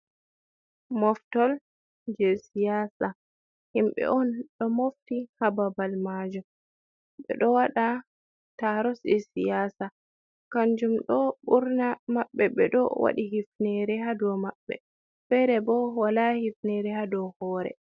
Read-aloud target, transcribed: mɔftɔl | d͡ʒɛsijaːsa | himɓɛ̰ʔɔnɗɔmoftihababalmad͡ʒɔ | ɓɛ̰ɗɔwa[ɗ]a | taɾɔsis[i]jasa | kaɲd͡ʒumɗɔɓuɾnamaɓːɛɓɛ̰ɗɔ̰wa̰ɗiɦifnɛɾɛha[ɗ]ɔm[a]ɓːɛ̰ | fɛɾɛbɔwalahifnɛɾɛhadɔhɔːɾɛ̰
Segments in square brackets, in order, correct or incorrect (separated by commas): correct, correct, incorrect, correct